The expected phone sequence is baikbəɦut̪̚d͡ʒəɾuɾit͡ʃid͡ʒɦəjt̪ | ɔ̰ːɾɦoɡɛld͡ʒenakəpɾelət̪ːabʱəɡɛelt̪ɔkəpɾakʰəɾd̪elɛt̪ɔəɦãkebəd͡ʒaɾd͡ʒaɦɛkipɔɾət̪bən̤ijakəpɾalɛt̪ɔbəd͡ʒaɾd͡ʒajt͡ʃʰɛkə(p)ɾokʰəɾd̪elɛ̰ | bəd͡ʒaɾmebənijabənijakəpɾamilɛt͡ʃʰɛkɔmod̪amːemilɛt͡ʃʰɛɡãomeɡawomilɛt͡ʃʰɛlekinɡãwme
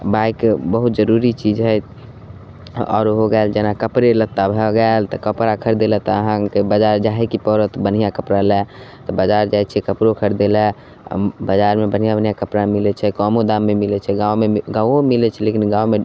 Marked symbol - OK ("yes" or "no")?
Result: yes